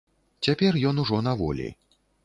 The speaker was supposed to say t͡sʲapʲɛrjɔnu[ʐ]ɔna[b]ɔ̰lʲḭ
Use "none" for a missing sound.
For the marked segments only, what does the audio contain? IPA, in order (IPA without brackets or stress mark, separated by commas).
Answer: ʐ, v